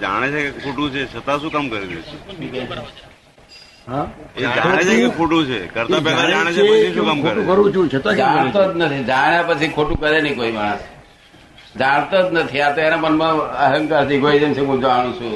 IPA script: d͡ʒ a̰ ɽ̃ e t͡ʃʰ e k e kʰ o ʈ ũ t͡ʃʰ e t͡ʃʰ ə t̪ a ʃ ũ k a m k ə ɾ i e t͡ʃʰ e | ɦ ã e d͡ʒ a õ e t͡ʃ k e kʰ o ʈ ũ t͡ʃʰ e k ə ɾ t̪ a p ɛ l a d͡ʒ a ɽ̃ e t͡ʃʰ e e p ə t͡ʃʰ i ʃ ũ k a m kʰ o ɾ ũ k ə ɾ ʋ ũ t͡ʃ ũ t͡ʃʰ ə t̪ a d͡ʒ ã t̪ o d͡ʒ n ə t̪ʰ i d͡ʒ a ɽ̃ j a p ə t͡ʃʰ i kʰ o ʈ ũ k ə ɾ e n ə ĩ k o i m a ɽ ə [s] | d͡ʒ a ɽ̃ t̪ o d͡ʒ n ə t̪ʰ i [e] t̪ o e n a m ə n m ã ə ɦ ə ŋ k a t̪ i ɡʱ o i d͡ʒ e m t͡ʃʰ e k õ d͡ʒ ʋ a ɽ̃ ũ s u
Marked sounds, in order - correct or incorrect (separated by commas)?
correct, incorrect